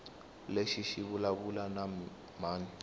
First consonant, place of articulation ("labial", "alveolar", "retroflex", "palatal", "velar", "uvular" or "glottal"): alveolar